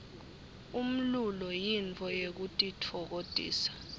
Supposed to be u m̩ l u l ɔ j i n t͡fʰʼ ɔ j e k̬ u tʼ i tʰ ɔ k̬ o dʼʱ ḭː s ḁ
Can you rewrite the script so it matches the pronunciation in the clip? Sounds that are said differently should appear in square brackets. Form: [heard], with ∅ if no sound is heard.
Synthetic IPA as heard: u m̩ l u l ɔ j i n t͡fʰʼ ɔ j e k̬ u tʼ i tʰ ɔ k̬ o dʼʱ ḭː s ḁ